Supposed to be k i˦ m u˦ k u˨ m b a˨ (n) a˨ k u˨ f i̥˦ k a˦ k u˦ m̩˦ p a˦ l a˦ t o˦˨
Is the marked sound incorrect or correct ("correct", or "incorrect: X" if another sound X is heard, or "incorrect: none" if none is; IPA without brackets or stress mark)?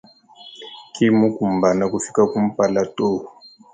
correct